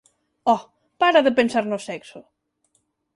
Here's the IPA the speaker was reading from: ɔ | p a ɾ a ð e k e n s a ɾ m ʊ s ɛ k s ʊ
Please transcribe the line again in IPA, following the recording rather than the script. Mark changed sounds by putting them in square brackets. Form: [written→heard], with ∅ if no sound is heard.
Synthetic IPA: ɔ | p a ɾ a ð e [k→p] e n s a ɾ [m→n] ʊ s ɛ k s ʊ